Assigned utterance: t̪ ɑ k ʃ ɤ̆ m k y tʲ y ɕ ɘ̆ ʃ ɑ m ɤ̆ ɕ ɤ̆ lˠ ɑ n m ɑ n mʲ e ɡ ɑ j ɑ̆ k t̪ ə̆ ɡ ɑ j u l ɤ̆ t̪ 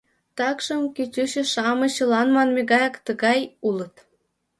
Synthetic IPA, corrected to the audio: t̪ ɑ k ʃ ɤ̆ m k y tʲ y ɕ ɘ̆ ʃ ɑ m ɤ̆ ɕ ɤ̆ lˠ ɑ n m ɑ n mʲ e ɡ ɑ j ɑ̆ k t̪ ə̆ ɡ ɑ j u l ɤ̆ t̪